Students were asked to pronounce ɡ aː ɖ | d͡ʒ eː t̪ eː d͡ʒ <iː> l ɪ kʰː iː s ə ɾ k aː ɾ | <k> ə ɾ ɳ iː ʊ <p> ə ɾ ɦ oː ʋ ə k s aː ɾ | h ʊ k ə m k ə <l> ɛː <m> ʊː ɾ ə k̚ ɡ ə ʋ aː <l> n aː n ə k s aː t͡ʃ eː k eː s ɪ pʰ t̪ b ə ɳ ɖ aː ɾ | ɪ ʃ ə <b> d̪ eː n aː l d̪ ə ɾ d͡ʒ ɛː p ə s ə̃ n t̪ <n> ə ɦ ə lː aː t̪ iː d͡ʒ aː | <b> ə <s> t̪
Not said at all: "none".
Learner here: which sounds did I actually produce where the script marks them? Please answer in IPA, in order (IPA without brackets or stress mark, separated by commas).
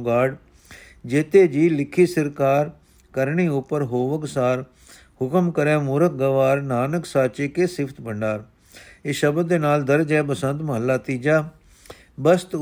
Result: iː, k, p, ɾ, m, ɾ, b, m, b, s